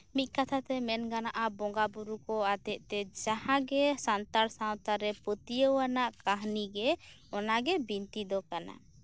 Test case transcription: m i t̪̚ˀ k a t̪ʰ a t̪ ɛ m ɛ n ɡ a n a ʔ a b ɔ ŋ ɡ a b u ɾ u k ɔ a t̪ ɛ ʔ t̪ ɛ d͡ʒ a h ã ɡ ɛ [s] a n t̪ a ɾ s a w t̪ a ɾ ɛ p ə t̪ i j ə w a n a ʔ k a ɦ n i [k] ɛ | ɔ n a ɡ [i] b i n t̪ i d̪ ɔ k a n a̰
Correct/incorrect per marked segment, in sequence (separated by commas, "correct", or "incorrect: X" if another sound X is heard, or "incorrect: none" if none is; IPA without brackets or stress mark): correct, incorrect: ɡ, incorrect: ɛ